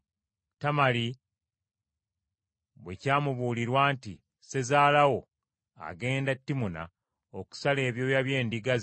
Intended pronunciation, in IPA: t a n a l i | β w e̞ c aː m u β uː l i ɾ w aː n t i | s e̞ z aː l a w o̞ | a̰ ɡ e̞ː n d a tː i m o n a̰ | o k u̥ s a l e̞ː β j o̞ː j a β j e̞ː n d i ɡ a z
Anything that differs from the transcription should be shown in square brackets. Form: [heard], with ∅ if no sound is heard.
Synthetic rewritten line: t a [m] a l i | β w e̞ c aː m u β uː l i ɾ w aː n t i | s e̞ z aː l a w o̞ | a̰ ɡ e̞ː n d a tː i m [u] n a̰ | o k u̥ s a l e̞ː β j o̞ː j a β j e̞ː n d i ɡ a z